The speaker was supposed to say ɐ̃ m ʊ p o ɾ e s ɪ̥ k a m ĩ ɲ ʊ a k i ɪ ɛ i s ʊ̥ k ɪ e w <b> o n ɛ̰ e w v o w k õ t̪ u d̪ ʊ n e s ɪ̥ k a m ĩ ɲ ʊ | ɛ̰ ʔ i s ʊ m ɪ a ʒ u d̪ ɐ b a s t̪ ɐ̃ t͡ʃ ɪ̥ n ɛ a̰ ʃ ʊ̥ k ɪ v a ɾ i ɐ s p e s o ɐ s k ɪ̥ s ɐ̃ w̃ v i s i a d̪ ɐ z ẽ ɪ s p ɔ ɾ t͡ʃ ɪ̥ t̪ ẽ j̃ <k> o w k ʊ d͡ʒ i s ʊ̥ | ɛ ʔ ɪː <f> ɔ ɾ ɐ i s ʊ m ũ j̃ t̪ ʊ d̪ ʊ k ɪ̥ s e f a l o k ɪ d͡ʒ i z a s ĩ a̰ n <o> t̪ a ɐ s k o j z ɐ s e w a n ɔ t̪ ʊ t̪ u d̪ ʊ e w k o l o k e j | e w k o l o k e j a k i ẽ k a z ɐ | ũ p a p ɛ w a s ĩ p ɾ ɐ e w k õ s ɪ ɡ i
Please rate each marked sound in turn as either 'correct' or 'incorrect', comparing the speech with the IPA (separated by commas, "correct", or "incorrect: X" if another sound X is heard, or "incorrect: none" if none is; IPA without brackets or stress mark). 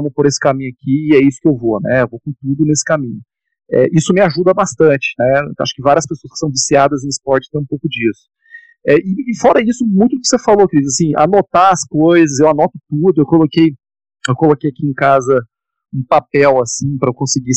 incorrect: v, incorrect: p, correct, correct